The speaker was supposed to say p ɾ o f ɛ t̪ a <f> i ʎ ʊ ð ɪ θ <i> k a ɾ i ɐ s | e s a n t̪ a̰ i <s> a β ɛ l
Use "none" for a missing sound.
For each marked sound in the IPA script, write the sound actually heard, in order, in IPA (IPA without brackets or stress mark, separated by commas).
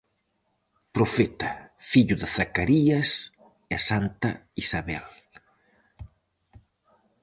f, a, s